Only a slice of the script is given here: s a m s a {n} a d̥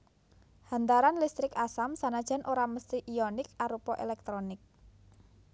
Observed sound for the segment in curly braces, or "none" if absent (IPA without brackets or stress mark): n